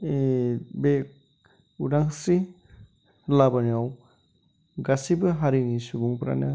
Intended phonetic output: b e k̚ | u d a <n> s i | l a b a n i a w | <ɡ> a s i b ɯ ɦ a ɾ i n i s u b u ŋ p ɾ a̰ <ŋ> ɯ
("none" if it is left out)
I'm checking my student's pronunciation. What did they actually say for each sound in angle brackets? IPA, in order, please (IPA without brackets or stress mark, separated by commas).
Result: ŋ, ɡ, n